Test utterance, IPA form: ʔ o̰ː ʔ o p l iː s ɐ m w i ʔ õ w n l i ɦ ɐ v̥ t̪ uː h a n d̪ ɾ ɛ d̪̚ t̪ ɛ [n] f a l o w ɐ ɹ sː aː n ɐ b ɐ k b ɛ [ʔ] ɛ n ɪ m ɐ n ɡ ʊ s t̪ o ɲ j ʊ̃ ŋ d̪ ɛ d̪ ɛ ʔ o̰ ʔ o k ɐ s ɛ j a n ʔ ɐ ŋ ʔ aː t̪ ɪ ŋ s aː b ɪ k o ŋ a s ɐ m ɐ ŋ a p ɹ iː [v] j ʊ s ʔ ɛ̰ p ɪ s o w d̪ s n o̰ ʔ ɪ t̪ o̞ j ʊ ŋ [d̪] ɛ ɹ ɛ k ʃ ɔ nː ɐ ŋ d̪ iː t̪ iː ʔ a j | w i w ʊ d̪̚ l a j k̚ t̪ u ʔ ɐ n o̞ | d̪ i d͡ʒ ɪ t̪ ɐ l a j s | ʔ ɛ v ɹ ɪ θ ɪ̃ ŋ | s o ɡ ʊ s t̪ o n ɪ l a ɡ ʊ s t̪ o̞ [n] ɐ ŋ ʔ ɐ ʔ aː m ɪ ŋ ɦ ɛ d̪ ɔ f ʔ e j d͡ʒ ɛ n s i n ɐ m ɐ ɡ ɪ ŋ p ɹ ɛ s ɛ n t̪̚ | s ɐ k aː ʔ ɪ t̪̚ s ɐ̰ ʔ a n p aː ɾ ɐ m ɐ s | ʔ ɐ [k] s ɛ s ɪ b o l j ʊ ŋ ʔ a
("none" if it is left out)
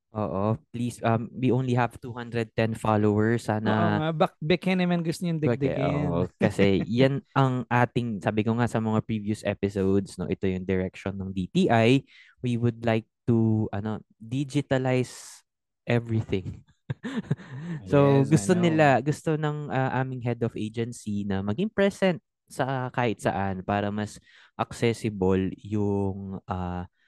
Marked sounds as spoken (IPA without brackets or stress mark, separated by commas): n, k, v, d̪, n, k